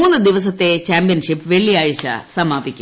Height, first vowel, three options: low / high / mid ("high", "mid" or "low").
high